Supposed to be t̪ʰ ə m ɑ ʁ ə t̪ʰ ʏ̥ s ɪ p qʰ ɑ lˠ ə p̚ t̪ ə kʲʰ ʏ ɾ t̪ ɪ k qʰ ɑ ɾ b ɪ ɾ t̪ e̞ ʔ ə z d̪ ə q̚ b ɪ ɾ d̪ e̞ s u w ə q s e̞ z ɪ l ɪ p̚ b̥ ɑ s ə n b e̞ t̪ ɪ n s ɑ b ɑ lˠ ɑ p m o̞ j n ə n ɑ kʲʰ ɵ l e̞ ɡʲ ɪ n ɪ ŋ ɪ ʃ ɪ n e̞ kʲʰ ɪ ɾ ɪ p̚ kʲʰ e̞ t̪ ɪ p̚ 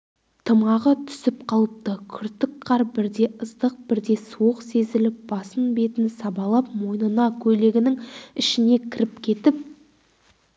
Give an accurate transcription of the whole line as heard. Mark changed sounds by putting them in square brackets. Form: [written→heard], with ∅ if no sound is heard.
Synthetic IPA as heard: t̪ʰ ə m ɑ ʁ ə t̪ʰ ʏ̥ s ɪ p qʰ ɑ lˠ ə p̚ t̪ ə kʲʰ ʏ ɾ t̪ ɪ k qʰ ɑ ɾ b ɪ ɾ [t̪→d̪] e̞ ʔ ə z d̪ ə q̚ b ɪ ɾ d̪ e̞ s u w ə q s e̞ z ɪ l ɪ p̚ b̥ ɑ s ə n b e̞ t̪ ɪ n s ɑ b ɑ lˠ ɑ p m o̞ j n ə n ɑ kʲʰ ɵ l e̞ ɡʲ ɪ n ɪ ŋ ɪ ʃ ɪ n e̞ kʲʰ ɪ ɾ ɪ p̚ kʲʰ e̞ t̪ ɪ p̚